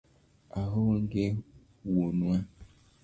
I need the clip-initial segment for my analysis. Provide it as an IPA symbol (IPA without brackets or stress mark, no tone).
a